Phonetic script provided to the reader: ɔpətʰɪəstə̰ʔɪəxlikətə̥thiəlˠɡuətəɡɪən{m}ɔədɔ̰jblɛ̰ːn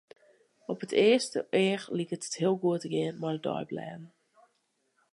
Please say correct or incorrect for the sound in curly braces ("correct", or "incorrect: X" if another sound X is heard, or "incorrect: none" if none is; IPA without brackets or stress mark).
correct